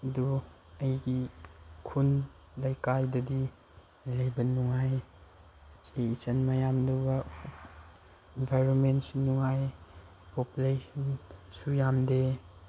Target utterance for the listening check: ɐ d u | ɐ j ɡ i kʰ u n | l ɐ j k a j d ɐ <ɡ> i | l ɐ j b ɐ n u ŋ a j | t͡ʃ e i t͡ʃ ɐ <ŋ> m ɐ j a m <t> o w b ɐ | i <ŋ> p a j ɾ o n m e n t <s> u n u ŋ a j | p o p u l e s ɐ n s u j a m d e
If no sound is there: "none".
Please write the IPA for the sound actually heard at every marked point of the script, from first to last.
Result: d, n, d, n, s

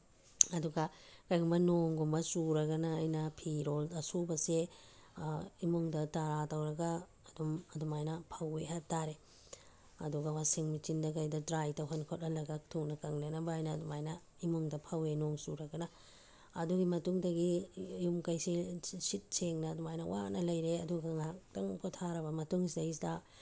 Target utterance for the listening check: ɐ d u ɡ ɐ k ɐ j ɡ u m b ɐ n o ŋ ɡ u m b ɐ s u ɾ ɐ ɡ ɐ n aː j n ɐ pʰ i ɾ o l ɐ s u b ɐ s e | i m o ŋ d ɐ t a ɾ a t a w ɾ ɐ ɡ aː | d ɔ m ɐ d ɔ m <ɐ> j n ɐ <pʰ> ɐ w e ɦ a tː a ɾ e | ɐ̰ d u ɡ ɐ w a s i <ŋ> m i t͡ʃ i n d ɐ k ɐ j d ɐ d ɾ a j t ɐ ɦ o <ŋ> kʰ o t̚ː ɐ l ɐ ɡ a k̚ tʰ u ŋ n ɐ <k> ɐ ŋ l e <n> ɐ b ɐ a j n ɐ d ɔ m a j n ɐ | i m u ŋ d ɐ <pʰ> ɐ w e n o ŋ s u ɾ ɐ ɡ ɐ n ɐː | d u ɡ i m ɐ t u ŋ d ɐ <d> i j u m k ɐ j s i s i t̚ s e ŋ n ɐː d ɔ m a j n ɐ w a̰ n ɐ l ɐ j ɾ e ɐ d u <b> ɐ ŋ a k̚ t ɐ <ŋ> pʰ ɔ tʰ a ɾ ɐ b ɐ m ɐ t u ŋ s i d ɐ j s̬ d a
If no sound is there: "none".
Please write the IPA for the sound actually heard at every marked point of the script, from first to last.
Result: a, pʰ, ŋ, n, k, n, pʰ, ɡ, ɡ, ŋ

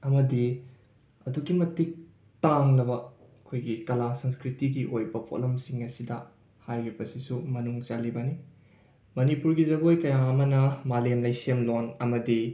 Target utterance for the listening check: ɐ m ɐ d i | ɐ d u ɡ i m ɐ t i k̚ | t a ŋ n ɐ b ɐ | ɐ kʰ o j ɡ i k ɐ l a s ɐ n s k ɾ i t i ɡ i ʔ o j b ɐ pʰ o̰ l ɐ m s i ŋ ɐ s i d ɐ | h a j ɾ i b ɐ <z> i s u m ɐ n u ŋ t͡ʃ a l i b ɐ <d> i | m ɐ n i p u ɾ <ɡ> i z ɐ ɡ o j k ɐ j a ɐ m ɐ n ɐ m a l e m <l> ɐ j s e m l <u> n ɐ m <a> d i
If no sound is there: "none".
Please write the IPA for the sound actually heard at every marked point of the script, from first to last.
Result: s, n, ɡ, l, o, ɐ

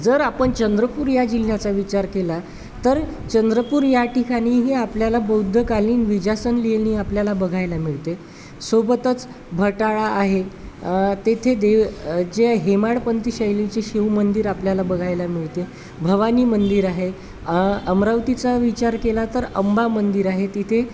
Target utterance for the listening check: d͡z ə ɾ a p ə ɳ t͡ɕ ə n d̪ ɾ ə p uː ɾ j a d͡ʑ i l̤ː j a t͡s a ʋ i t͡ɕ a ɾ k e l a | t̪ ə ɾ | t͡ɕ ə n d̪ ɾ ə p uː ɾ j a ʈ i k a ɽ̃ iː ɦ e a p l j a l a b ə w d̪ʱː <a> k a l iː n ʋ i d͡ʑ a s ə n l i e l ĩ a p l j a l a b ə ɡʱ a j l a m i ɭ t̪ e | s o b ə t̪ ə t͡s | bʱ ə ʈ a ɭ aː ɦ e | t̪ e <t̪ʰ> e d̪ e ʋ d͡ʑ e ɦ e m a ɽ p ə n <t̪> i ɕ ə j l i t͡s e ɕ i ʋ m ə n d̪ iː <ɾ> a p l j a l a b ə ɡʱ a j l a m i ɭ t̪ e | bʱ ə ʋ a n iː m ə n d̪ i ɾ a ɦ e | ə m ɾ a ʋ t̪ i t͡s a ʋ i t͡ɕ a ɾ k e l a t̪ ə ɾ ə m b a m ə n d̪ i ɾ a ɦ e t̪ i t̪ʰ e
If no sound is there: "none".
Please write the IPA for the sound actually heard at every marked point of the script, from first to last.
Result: ə, t̪ʰ, t̪, ɾ

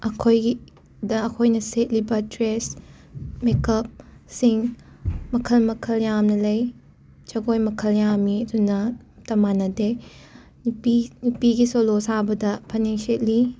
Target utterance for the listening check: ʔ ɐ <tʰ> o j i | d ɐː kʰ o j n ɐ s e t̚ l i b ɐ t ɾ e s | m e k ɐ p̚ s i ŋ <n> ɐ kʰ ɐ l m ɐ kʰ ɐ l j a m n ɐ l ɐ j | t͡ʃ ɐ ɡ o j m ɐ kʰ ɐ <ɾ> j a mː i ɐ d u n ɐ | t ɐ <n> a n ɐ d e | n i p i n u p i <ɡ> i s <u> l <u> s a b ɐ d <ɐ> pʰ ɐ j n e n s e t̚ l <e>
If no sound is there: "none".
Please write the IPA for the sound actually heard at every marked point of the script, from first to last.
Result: kʰ, m, l, m, ɡ, o, o, ɐ, i

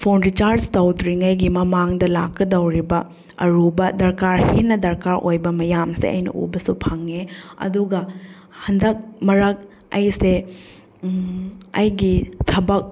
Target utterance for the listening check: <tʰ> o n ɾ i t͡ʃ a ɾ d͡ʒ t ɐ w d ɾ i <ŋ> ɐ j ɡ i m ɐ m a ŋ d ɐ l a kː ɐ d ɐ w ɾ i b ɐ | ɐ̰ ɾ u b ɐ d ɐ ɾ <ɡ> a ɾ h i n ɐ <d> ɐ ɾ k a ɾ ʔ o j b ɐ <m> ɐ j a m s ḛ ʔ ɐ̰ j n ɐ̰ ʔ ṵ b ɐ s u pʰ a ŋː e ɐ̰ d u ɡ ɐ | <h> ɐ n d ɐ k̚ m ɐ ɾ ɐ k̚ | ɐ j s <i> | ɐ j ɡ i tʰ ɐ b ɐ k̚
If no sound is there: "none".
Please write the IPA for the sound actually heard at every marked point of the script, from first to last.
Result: pʰ, ŋ, k, d, m, h, e

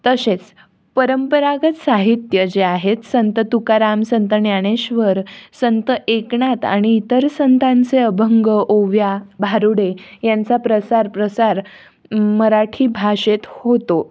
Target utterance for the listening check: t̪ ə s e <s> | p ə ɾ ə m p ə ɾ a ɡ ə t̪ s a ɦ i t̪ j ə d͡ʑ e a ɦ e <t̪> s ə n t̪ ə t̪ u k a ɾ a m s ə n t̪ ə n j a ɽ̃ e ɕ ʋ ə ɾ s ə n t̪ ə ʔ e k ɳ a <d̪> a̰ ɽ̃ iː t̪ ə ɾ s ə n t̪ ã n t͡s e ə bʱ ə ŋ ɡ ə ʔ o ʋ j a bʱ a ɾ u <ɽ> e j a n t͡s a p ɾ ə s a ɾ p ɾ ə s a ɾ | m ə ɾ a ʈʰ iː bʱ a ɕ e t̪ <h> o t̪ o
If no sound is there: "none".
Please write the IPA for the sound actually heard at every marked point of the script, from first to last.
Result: t͡s, t̪, t̪, ɽ, h

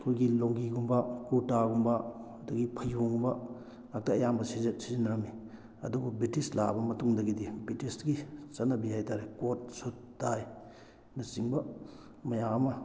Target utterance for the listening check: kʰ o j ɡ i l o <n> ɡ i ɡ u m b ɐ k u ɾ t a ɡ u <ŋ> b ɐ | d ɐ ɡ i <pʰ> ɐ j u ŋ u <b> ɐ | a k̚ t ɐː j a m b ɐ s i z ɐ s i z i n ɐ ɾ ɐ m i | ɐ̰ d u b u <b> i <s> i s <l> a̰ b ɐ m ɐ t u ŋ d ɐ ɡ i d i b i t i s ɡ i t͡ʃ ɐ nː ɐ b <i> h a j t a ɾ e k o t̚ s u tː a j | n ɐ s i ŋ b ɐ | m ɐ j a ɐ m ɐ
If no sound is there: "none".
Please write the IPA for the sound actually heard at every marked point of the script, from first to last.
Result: ŋ, m, pʰ, b, b, t, l, i

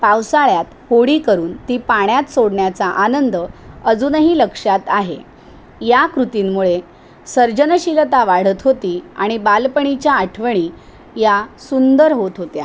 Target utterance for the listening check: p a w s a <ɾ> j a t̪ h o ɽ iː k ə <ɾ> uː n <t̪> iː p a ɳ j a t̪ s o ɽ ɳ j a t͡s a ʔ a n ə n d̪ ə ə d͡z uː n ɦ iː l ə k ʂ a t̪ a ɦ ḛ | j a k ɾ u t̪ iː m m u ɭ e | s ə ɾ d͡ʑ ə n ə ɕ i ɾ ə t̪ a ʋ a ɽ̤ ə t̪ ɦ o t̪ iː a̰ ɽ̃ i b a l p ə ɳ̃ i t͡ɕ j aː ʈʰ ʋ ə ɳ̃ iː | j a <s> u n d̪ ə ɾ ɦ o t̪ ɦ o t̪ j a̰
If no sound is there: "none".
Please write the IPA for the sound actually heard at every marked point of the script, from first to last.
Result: ɭ, ɾ, t̪, s

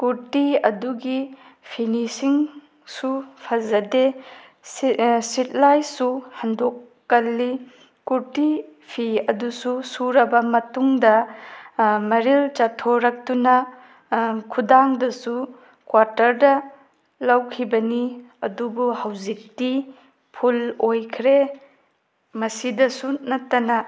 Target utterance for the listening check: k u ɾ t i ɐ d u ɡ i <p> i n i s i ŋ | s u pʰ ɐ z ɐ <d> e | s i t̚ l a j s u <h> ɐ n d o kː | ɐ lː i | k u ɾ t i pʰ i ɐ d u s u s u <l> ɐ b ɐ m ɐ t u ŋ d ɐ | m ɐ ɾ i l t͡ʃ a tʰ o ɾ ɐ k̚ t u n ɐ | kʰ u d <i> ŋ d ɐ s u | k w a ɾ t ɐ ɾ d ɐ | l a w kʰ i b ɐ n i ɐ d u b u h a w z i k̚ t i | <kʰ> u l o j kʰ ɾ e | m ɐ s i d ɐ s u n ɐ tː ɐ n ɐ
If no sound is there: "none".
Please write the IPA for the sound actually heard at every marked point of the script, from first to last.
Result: pʰ, d, h, ɾ, a, pʰ

